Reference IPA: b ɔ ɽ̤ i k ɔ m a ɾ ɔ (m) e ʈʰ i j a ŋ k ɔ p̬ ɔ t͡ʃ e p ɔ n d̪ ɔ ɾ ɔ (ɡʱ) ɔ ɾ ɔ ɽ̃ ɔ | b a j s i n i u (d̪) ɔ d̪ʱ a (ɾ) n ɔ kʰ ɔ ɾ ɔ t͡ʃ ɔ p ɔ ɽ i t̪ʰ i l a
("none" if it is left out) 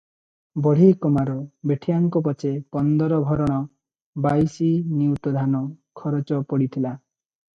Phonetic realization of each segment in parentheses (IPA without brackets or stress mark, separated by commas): b, bʱ, t̪, none